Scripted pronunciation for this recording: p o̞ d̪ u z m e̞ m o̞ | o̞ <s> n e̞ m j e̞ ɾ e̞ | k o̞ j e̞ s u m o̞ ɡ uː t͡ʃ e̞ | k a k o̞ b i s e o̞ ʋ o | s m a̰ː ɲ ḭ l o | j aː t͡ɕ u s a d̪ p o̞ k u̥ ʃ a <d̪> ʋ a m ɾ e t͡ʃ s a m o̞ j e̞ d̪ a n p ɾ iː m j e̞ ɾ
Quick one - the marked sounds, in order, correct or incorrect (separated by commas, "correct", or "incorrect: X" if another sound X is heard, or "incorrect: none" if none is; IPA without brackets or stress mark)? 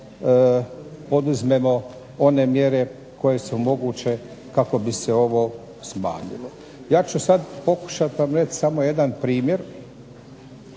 incorrect: none, incorrect: t̪